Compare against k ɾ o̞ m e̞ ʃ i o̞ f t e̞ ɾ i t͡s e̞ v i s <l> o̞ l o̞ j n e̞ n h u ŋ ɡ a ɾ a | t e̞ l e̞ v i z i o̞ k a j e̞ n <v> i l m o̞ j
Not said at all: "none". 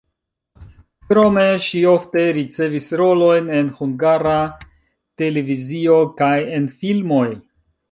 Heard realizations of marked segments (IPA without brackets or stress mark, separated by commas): ɾ, f